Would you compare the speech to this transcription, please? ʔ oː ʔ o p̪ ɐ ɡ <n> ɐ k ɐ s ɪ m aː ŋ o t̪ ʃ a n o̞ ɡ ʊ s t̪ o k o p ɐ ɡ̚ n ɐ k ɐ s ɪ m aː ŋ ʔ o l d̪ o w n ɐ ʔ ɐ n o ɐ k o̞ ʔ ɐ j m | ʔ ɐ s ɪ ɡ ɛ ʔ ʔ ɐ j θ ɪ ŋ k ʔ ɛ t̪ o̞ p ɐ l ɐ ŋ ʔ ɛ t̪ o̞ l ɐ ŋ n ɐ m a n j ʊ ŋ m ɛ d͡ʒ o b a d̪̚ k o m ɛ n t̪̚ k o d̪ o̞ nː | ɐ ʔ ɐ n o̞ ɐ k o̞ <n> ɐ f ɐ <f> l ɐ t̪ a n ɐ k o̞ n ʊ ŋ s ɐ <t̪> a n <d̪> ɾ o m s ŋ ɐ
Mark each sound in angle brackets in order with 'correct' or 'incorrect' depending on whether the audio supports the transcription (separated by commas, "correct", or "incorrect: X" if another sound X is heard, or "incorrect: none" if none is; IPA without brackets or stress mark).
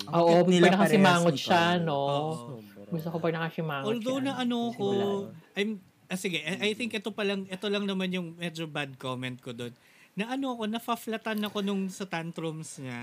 correct, correct, correct, correct, incorrect: t̪